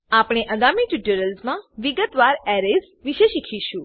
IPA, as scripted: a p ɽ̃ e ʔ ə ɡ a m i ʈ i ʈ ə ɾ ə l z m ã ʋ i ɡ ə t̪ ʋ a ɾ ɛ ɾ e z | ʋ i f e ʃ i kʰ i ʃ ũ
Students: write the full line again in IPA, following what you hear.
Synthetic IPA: a p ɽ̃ e ʔ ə ɡ a m i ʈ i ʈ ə ɾ ə l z m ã ʋ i ɡ ə t̪ ʋ a ɾ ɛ ɾ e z | ʋ i ʃ e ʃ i kʰ i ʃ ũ